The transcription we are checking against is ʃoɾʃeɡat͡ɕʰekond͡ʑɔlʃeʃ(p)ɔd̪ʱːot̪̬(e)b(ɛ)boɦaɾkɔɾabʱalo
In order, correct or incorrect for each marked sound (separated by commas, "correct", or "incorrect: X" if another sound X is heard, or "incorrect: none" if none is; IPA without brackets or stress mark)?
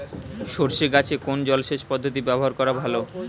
correct, incorrect: i, correct